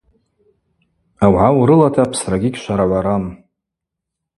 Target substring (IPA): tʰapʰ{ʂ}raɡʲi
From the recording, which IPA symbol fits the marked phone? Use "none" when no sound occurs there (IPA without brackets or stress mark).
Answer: s